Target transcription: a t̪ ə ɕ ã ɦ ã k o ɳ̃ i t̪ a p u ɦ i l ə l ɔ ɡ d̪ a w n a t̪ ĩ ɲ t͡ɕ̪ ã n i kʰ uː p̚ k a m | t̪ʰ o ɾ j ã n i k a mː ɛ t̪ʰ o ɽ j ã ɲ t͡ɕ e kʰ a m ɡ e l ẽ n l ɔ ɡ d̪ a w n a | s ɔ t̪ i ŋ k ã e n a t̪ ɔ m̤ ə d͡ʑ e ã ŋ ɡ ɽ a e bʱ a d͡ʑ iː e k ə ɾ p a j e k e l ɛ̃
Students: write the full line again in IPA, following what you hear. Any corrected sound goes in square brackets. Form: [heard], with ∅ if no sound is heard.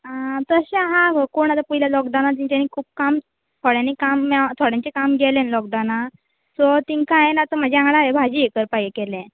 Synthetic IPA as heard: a t̪ ə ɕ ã ɦ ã k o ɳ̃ [a] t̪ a p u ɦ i l [a] l ɔ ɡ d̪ a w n a t̪ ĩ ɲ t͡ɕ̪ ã n i kʰ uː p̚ k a m | t̪ʰ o [ɽ] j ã n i k a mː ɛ t̪ʰ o ɽ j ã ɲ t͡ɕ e [k] a m ɡ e l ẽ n l ɔ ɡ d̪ a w n a | s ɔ t̪ i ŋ k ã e n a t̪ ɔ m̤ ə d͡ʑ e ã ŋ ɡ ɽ a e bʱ a d͡ʑ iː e k ə ɾ p a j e k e l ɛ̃